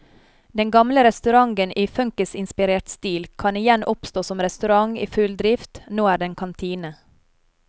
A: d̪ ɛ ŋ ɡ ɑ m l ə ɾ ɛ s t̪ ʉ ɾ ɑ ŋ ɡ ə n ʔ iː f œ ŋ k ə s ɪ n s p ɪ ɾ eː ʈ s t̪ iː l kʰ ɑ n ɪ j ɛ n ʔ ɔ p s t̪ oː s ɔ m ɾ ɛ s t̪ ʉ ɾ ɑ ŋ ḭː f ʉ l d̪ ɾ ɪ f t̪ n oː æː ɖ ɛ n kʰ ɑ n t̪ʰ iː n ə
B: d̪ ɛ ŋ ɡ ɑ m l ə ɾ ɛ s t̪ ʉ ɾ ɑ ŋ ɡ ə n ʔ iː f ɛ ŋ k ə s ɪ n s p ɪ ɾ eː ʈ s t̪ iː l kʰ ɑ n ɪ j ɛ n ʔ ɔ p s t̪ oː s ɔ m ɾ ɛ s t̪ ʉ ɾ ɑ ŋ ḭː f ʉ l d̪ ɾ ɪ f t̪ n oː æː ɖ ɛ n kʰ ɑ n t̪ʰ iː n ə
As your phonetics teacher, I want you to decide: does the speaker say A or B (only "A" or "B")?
A